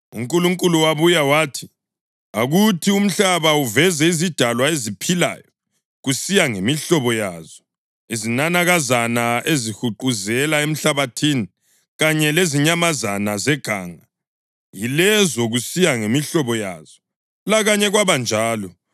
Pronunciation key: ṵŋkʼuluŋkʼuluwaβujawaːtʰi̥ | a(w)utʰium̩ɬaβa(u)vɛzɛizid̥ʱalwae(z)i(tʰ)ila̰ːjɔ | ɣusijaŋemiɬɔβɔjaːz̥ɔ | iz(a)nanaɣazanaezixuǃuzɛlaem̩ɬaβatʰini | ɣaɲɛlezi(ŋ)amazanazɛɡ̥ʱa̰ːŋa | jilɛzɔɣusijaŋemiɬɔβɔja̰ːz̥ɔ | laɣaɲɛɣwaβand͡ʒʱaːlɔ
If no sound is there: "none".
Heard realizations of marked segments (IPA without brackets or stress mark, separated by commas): ɣ, u, z, pʰ, i, ɲ